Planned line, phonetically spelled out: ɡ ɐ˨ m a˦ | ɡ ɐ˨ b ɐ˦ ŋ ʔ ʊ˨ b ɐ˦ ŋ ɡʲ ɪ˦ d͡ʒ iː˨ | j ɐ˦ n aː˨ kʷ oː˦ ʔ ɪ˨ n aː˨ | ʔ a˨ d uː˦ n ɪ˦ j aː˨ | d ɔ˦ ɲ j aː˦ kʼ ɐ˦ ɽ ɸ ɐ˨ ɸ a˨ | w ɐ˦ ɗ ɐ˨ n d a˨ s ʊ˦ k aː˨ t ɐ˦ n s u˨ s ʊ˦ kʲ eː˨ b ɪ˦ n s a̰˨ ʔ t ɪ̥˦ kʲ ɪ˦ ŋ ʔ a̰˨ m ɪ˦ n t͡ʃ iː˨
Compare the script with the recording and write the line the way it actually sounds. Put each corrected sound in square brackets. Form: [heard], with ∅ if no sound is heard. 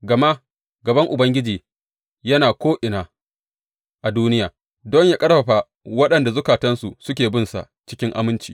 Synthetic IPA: ɡ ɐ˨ m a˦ | ɡ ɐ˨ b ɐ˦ ŋ ʔ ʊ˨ b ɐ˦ ŋ ɡʲ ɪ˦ d͡ʒ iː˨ | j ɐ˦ n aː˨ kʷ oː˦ ʔ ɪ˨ n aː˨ | ʔ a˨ d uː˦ n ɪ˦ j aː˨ | d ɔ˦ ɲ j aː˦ kʼ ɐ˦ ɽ ɸ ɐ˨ ɸ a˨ | w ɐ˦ ɗ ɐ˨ n d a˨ [z] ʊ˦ k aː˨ t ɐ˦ n s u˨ s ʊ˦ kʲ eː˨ b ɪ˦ n s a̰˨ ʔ [t͡ʃ] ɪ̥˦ kʲ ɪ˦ ŋ ʔ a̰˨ m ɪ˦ n t͡ʃ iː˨